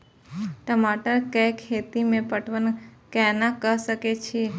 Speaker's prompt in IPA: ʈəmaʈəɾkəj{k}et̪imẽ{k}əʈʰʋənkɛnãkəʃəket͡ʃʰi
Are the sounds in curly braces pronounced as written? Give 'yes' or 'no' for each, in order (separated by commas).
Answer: no, no